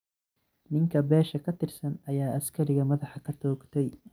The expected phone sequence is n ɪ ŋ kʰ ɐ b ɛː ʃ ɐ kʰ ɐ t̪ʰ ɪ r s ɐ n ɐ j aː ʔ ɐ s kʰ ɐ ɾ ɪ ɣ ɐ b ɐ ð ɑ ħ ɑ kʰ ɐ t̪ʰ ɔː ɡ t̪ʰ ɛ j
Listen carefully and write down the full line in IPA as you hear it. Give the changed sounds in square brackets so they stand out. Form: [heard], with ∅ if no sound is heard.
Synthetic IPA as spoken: n ɪ ŋ kʰ ɐ b ɛː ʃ ɐ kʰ ɐ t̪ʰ ɪ r s ɐ n ɐ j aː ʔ ɐ s kʰ ɐ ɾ ɪ ɣ ɐ [m] ɐ ð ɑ ħ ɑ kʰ ɐ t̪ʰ ɔː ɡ t̪ʰ ɛ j